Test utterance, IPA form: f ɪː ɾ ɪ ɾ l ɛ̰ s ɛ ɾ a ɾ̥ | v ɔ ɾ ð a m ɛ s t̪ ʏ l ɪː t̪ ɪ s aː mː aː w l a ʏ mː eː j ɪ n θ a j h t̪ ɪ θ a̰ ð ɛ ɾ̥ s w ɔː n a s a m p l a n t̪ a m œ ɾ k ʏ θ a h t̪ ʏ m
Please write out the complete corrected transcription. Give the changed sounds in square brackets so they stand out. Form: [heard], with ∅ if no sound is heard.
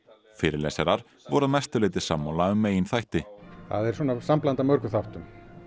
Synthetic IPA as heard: f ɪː ɾ ɪ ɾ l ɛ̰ s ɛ ɾ a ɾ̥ | v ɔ ɾ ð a m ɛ s t̪ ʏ l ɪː t̪ ɪ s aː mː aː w l a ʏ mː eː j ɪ n θ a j h t̪ ɪ θ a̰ ð ɛ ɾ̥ s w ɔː n a s a m p l a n t̪ a m œ ɾ k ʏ θ a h t̪ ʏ m